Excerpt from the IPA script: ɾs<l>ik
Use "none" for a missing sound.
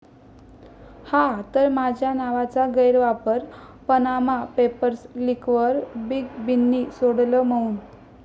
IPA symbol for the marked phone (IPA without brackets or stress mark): l